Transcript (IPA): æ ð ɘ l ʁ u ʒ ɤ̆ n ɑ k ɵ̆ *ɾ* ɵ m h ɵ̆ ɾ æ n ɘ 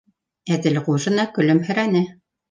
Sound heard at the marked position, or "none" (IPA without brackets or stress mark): l